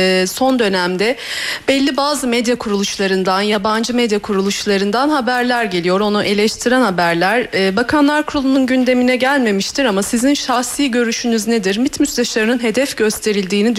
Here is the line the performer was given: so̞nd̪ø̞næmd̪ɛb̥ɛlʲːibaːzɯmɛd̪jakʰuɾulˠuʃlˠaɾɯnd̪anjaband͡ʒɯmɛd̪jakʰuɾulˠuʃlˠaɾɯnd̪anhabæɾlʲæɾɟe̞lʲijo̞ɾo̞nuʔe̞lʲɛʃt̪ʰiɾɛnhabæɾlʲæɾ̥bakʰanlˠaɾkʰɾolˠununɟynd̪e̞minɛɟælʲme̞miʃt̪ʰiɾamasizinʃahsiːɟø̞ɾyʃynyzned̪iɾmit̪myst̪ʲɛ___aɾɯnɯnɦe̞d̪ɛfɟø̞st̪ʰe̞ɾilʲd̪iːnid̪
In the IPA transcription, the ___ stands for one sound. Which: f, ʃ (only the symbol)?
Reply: ʃ